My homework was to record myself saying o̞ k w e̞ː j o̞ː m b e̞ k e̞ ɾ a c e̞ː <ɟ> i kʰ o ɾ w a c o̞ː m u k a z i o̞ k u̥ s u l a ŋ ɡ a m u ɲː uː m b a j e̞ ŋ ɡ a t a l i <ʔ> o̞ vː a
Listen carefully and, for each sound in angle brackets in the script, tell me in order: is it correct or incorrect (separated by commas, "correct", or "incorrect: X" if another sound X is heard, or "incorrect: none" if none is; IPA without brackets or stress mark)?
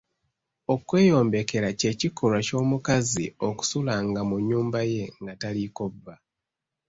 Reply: incorrect: c, incorrect: k